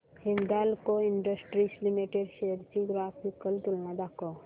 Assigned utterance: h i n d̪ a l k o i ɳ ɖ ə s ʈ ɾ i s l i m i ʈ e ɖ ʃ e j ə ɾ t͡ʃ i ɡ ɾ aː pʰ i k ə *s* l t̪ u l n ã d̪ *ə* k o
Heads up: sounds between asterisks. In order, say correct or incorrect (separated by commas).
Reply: incorrect, incorrect